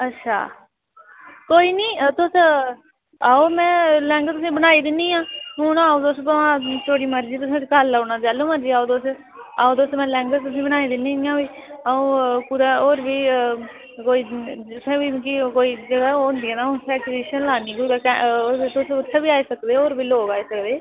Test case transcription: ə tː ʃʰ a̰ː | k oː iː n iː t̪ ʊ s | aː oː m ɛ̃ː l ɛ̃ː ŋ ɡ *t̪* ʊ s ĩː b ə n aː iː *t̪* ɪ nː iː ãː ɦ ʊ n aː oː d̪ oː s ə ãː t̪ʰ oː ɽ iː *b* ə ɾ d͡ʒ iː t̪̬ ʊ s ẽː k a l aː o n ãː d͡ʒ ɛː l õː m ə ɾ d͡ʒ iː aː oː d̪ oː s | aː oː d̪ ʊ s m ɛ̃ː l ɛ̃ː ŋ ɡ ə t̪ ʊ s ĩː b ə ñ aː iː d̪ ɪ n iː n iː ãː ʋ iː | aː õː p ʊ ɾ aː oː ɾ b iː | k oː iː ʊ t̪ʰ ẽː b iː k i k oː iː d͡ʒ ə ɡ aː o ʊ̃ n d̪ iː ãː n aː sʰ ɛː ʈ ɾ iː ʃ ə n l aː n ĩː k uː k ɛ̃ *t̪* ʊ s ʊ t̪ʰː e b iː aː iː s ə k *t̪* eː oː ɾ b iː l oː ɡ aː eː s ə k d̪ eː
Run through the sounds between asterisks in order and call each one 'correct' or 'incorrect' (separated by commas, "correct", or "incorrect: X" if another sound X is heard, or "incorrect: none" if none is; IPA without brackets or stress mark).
correct, incorrect: d̪, incorrect: m, correct, incorrect: d̪